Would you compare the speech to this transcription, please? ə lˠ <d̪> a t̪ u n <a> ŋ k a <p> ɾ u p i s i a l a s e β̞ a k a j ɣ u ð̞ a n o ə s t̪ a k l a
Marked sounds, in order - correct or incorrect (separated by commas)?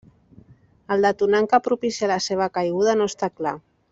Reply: correct, correct, correct